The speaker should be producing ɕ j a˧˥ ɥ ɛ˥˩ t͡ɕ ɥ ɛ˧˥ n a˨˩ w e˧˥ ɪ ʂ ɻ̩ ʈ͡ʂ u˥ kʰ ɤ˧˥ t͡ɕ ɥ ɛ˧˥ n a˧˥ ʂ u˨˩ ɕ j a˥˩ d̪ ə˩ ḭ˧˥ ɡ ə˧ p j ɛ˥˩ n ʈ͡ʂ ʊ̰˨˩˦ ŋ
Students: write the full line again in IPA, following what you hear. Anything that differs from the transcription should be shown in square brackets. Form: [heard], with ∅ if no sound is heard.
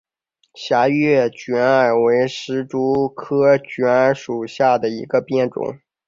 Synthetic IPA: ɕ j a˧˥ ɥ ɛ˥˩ t͡ɕ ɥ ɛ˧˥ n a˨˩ w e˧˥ ɪ ʂ ɻ̩ ʈ͡ʂ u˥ kʰ [ɤ˥] t͡ɕ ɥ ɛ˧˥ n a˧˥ ʂ u˨˩ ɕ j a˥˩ d̪ ə˩ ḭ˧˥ ɡ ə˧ p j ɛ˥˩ n ʈ͡ʂ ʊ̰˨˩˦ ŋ